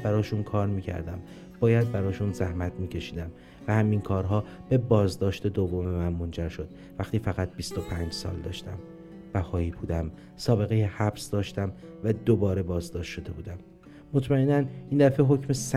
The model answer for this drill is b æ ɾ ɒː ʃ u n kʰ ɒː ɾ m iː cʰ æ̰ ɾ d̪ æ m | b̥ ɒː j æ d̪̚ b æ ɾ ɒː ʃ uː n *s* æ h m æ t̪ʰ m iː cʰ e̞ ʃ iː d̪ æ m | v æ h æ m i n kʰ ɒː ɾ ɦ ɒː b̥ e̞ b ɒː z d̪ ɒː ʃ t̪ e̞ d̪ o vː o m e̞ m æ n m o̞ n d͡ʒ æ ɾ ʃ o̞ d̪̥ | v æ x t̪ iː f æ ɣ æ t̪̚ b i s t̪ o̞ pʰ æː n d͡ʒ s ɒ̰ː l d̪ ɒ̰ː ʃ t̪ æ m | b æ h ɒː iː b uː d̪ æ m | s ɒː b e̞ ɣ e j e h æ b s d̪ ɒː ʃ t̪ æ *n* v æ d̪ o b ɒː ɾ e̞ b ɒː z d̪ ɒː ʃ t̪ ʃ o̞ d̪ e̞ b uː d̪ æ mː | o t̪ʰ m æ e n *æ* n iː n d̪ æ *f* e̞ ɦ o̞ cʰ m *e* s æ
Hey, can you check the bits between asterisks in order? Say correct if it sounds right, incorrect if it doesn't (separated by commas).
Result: incorrect, incorrect, correct, correct, correct